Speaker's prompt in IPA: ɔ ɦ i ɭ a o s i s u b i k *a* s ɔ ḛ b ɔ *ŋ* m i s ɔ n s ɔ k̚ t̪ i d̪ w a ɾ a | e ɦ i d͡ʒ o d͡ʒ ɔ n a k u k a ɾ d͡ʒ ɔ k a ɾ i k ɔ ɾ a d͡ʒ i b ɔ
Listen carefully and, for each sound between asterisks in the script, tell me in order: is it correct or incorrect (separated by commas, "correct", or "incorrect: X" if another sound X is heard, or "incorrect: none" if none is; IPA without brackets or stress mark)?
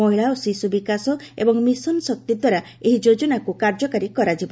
correct, correct